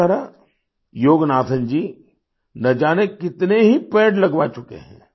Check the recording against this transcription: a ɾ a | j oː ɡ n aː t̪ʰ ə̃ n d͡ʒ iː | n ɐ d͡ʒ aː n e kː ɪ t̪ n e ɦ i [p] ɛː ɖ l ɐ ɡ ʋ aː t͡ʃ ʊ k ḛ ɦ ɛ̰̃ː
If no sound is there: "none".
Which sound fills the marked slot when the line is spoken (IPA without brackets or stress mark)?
p